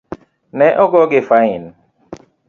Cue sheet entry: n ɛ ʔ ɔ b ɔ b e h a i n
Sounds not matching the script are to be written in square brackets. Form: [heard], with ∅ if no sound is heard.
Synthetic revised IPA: n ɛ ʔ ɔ [ɡ] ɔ [ɡ] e [f] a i n